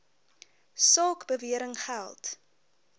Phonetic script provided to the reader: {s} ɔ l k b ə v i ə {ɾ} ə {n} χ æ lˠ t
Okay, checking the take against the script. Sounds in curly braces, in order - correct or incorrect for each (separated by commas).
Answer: correct, correct, incorrect